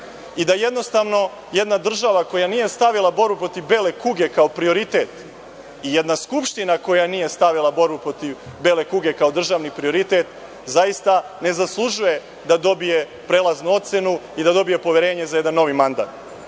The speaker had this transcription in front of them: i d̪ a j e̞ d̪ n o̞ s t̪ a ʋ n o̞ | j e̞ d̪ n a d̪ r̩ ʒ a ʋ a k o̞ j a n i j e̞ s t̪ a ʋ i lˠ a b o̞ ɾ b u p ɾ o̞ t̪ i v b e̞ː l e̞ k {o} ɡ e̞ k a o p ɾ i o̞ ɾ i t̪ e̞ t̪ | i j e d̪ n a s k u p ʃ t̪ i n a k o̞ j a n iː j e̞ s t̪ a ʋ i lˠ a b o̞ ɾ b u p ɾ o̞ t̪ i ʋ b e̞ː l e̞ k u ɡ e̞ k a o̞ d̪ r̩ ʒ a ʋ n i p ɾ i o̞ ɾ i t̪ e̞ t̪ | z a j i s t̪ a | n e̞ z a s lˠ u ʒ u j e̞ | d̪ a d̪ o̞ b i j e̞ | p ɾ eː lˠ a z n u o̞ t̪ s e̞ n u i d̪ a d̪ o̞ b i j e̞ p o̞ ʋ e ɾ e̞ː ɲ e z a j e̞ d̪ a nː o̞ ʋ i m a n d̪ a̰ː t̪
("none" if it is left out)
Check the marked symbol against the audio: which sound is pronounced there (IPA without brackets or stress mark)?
u